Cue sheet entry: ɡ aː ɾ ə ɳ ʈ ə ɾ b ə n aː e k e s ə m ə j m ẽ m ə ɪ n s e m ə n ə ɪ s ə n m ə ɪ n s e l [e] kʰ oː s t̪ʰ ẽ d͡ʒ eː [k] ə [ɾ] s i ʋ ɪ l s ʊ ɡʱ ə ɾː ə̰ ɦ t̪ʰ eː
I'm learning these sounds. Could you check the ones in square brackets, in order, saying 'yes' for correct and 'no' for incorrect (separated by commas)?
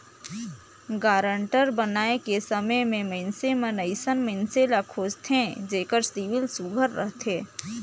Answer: no, yes, yes